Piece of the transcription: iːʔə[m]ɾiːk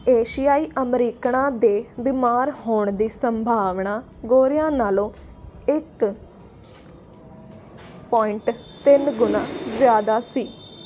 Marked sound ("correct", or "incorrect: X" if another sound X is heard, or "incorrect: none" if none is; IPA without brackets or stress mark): correct